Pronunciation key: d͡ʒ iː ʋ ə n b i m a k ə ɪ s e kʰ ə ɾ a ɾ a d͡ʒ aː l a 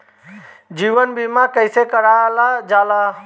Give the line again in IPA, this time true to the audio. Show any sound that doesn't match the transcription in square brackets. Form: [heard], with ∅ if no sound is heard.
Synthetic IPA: d͡ʒ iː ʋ ə n b i m a k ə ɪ s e [k] ə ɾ a [l] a d͡ʒ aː l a